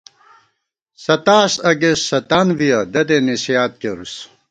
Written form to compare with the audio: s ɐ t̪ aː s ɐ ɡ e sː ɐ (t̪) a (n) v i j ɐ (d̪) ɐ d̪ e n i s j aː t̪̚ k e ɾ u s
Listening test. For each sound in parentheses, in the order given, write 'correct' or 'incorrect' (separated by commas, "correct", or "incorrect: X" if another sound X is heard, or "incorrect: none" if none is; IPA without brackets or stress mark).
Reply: correct, correct, correct